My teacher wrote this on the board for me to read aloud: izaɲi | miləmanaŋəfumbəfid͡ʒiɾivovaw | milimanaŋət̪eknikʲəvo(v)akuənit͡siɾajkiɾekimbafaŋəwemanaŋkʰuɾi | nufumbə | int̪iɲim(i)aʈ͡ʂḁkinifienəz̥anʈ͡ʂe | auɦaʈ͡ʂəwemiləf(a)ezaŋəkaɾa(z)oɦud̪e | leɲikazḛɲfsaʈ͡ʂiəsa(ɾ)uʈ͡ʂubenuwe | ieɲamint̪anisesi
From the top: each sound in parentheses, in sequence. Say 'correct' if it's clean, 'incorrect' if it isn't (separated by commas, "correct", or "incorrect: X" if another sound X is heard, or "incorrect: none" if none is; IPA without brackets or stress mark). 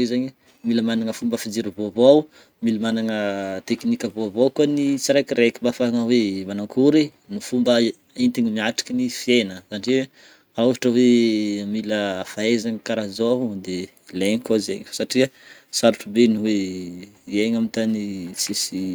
correct, correct, correct, correct, correct